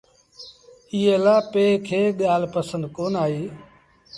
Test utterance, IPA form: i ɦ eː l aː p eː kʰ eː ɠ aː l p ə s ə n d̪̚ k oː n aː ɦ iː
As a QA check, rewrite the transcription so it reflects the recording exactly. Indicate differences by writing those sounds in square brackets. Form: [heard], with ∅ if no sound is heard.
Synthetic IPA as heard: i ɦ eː l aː p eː kʰ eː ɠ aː l p ə s ə n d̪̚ k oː n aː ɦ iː